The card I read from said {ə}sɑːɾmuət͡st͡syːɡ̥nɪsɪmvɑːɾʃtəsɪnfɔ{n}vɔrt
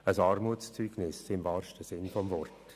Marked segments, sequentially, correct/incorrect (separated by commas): correct, incorrect